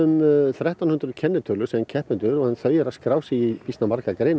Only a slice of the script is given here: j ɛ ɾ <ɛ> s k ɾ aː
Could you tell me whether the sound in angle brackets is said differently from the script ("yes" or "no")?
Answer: yes